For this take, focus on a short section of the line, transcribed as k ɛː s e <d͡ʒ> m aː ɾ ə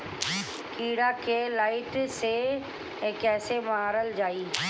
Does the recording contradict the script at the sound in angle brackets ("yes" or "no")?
yes